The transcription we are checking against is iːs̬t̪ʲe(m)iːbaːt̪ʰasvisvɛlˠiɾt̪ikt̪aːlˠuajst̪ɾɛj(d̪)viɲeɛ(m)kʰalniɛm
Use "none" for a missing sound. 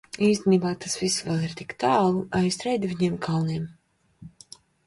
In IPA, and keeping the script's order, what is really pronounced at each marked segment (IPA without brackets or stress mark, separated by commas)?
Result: n, d̪, m